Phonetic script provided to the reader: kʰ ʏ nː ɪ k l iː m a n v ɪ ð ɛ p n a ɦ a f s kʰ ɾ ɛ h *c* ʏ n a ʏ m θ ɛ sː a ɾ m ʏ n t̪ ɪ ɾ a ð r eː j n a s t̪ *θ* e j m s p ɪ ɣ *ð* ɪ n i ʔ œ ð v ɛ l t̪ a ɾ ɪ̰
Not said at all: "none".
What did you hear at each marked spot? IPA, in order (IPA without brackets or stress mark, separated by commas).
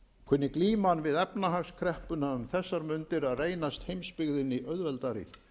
p, h, ð